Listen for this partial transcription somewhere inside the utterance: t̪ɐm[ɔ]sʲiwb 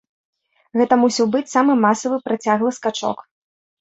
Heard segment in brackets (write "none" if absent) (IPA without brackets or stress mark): u